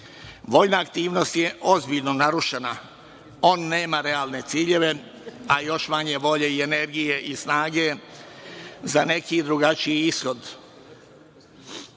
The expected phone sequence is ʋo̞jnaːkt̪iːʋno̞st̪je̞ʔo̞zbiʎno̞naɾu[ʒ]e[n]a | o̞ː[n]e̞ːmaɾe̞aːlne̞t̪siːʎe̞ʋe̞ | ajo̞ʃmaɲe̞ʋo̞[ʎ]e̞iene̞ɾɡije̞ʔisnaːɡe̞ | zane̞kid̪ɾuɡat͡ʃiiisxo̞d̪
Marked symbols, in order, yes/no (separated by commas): no, yes, no, yes